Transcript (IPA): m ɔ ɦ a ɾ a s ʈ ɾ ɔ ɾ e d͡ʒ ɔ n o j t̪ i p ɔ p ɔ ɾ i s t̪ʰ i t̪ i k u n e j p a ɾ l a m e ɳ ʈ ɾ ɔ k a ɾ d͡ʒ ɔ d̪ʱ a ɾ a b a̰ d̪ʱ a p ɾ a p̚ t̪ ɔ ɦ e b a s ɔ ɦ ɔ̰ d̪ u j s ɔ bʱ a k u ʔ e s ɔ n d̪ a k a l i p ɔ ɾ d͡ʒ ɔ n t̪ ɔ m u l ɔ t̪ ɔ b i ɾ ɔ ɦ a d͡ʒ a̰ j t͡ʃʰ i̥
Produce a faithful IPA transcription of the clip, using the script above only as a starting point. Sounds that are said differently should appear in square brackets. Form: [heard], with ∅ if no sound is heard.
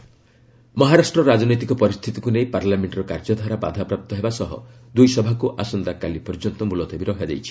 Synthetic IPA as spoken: m ɔ ɦ a ɾ a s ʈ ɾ ɔ ɾ [a] d͡ʒ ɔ n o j t̪ i [k] ɔ p ɔ ɾ i s t̪ʰ i t̪ i k u n e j p a ɾ l a m e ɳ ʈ ɾ ɔ k a ɾ d͡ʒ ɔ d̪ʱ a ɾ a b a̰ d̪ʱ a p ɾ a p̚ t̪ ɔ ɦ e b a s ɔ ɦ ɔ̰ d̪ u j s ɔ bʱ a k u ʔ [a] s ɔ n d̪ a k a l i p ɔ ɾ d͡ʒ ɔ n t̪ ɔ m u l ɔ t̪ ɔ b i ɾ ɔ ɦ a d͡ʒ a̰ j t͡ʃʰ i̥